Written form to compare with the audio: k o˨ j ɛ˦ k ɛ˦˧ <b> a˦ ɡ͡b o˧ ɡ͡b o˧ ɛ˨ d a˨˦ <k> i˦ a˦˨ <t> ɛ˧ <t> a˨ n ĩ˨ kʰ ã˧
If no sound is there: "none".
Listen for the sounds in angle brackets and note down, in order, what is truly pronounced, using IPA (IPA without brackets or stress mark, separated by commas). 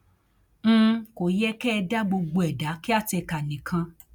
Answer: d, k, t, k